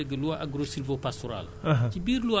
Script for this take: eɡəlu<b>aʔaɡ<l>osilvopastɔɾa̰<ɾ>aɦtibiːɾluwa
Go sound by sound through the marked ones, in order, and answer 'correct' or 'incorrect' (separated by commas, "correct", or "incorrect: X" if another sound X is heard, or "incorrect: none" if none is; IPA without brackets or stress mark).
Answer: incorrect: none, incorrect: ɾ, incorrect: l